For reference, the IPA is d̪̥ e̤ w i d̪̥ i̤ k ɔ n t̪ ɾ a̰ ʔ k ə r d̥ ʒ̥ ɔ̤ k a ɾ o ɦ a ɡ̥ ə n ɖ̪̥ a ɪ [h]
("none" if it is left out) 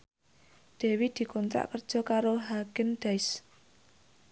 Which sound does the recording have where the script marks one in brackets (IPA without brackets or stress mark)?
s